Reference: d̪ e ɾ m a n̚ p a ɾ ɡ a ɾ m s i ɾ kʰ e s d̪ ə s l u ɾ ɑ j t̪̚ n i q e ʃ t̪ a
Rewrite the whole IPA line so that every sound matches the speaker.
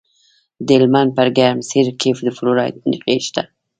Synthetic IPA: d̪ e l m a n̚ p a ɾ ɡ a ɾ m s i ɾ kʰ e f d̪ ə f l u ɾ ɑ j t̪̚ n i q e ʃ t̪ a